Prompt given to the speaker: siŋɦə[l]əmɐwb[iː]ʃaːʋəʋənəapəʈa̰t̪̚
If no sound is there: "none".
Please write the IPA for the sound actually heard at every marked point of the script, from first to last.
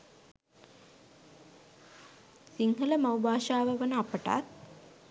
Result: l, aː

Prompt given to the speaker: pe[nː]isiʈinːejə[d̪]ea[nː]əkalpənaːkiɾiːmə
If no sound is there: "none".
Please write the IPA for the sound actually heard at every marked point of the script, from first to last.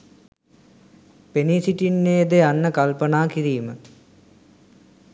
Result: n, d̪, nː

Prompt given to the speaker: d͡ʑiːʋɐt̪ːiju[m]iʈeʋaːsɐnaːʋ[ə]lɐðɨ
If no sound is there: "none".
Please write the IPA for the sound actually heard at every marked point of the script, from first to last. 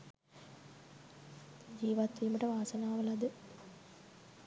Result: m, ɐ

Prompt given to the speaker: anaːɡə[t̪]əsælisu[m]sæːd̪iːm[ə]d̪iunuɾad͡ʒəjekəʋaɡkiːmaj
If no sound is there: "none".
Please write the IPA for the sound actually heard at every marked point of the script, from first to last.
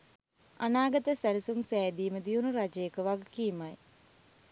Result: t̪, m, ə

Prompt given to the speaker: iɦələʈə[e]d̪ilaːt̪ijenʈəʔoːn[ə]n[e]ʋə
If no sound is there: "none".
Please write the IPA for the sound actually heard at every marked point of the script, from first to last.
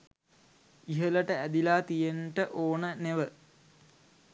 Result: æ, ə, e

